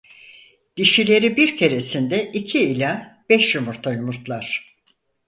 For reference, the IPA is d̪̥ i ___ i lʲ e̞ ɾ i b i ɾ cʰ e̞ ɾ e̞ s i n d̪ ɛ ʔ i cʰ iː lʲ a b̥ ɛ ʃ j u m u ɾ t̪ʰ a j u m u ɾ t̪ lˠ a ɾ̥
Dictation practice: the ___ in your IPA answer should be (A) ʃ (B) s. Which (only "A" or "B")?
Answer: A